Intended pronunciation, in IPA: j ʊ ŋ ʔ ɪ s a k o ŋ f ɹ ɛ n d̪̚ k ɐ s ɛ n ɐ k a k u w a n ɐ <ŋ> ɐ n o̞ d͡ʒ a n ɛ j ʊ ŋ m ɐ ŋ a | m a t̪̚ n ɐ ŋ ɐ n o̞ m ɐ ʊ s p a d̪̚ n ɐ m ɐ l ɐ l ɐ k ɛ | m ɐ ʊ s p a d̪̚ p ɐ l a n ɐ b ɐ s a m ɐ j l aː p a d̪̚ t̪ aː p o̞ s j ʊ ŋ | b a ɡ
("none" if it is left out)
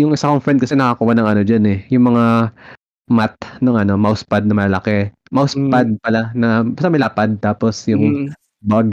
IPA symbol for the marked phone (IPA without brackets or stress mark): ŋ